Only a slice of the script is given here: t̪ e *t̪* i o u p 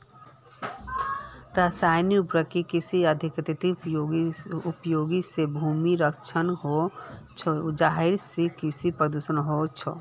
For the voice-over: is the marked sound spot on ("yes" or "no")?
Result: yes